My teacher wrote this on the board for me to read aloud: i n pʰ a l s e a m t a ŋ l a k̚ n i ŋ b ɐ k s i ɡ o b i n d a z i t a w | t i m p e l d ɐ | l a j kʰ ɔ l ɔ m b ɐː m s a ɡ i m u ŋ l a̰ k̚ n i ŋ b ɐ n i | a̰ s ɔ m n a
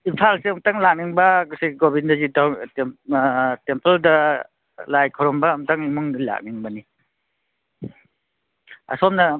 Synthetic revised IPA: i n pʰ a l s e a m t a ŋ l a k̚ n i ŋ b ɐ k s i ɡ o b i n d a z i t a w | t e m p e l d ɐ | l a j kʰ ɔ ɾ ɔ m b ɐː m t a ŋ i m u ŋ l a̰ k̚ n i ŋ b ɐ n i | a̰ s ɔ m n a